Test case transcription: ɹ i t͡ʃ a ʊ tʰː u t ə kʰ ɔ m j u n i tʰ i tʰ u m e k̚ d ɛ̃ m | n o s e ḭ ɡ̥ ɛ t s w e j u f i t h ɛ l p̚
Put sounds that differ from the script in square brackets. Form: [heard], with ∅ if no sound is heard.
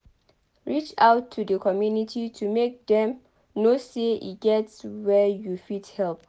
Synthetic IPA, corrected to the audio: ɹ i t͡ʃ a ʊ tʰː u [d] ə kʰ ɔ m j u n i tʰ i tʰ u m e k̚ d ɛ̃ m | n o s e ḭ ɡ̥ ɛ t s w [ɛ] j u f i t h ɛ l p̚